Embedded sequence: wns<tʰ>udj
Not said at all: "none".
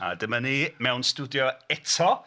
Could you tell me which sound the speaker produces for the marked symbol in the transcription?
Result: t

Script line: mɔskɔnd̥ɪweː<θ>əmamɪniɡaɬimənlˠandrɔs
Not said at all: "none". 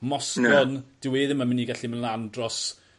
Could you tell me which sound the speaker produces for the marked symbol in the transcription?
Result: ð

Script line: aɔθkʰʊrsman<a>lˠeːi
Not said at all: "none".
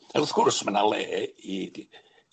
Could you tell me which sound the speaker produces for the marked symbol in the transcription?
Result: a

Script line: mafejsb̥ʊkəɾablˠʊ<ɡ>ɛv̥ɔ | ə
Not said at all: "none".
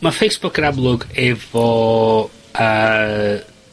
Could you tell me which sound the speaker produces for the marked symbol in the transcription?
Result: ɡ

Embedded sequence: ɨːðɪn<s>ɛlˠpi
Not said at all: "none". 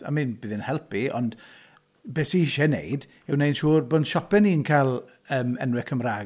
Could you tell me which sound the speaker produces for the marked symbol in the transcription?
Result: h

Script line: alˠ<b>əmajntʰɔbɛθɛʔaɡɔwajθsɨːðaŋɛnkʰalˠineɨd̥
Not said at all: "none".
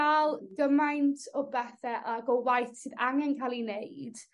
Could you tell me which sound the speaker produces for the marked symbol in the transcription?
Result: ɡ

